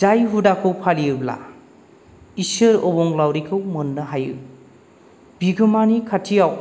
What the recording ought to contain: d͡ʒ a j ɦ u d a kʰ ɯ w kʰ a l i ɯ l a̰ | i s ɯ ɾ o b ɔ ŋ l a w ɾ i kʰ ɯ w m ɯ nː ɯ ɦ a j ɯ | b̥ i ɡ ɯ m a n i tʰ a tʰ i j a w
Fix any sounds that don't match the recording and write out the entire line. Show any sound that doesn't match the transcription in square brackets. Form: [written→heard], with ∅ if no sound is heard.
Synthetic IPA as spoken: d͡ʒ a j ɦ u d a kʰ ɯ w [kʰ→pʰ] a l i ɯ l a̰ | i s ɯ ɾ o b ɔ ŋ l a w ɾ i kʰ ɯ w m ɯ nː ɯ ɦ a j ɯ | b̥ i ɡ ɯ m a n i [tʰ→kʰ] a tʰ i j a w